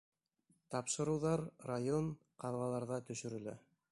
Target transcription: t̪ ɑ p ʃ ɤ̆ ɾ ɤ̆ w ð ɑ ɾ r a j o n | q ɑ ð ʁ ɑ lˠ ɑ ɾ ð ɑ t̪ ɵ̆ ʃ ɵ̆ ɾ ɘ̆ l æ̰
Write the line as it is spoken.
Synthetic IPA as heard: t̪ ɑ p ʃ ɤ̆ ɾ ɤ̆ w ð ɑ ɾ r a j o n | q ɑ ð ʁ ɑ lˠ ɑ ɾ ð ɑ t̪ ɵ̆ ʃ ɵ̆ ɾ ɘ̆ l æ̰